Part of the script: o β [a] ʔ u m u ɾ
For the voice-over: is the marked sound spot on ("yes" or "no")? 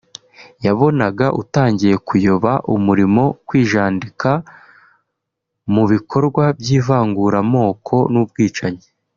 yes